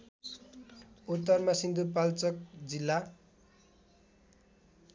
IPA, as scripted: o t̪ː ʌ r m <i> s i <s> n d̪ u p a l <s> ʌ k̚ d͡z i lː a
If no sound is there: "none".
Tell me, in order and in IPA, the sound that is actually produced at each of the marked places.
a, none, t͡s

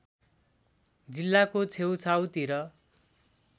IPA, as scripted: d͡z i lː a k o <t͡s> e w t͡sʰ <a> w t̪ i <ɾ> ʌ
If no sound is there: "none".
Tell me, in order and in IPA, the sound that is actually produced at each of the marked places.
t͡sʰ, a, ɾ

